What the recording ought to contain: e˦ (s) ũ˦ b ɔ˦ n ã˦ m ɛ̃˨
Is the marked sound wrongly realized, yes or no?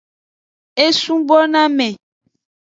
no